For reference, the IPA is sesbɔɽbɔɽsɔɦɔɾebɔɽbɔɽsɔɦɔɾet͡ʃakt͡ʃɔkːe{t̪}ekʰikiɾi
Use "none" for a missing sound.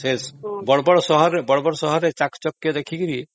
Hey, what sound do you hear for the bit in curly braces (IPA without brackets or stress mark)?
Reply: d̪